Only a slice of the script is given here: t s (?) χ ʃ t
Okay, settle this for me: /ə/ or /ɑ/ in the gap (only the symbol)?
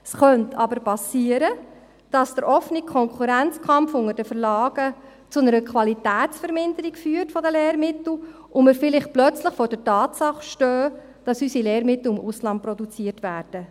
ɑ